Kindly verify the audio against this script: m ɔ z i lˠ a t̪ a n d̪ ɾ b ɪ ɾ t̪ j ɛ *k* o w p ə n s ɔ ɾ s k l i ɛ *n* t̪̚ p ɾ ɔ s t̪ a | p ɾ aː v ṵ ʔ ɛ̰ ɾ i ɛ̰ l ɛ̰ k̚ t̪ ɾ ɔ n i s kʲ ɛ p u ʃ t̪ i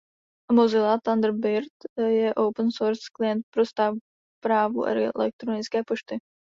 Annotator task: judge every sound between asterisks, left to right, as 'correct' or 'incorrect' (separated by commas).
incorrect, correct